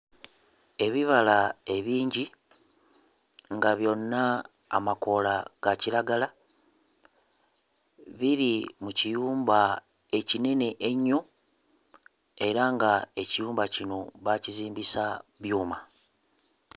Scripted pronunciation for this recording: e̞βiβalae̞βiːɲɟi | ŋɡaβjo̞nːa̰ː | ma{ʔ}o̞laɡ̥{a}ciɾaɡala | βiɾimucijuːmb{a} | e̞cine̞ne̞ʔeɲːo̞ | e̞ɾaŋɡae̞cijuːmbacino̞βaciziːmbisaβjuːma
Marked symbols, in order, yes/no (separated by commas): no, yes, yes